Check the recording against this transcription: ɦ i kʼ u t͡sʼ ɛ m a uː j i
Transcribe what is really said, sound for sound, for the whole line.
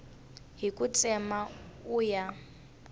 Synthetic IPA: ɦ i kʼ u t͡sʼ ɛ m a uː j a